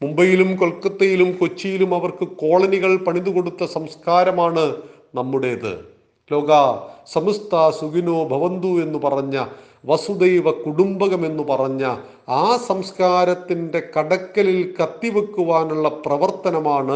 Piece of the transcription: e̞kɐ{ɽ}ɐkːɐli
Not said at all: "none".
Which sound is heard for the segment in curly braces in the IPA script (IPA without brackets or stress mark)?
ɽ